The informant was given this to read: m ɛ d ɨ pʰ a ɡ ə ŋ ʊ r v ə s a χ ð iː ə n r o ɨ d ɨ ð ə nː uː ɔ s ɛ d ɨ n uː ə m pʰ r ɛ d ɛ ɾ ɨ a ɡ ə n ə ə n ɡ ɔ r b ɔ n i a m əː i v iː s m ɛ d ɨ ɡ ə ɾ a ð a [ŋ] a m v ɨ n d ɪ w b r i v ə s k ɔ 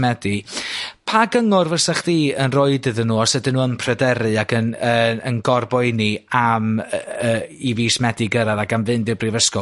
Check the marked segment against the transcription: incorrect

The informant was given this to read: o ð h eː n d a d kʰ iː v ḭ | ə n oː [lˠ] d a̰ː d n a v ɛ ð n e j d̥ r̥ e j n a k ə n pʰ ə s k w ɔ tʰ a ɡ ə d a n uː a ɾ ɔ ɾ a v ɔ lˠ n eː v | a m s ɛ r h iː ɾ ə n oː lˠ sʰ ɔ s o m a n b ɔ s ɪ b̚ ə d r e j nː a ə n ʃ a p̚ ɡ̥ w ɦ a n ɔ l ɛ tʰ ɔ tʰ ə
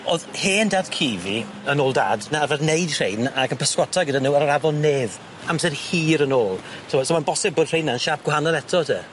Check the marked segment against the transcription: correct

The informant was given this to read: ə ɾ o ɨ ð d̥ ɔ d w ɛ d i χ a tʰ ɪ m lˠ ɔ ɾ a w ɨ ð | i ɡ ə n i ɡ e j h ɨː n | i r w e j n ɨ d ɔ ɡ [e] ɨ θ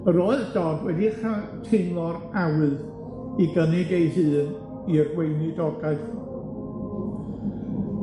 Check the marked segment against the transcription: incorrect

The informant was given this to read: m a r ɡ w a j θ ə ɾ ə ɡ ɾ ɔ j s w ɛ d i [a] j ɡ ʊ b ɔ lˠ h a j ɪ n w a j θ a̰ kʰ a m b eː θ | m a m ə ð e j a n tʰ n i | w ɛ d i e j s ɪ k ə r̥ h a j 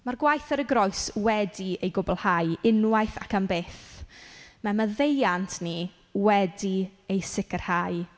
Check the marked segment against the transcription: incorrect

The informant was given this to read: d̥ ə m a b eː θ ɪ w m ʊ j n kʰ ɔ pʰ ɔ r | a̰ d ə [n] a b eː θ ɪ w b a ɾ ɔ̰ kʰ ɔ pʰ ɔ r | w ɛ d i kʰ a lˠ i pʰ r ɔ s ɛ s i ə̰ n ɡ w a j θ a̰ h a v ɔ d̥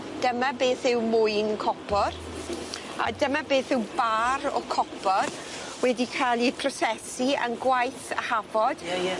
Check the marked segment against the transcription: incorrect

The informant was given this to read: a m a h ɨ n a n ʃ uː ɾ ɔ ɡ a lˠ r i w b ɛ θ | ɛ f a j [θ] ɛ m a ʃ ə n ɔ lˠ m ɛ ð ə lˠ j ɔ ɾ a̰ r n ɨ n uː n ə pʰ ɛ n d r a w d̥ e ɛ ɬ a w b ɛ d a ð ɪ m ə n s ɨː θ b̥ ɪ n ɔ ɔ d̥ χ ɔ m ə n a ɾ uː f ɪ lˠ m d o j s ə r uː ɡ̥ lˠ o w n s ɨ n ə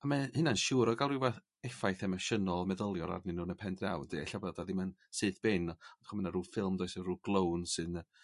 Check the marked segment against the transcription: correct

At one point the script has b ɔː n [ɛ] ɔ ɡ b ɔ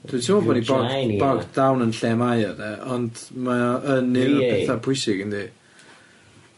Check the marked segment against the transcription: incorrect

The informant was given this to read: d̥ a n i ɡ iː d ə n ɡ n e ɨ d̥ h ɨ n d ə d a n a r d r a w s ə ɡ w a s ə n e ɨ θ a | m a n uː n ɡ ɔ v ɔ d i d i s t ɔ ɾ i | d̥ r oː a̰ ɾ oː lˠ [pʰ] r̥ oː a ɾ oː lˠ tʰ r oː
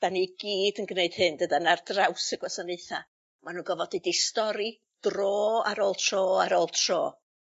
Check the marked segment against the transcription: incorrect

